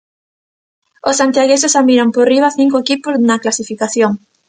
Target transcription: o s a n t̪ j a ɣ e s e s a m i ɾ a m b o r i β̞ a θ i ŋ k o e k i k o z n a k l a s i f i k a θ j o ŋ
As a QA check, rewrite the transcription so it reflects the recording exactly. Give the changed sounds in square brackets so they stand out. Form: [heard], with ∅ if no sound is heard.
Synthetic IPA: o s a n t̪ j a ɣ e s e s a m i ɾ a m [p] o r i β̞ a θ i ŋ k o e k i [p] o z n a k l a s i f i k a θ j o ŋ